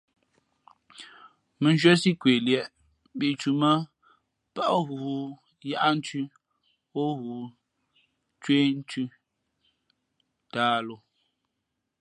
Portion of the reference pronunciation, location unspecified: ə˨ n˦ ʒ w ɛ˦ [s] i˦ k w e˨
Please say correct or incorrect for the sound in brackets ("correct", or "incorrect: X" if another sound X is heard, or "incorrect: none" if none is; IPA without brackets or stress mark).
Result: correct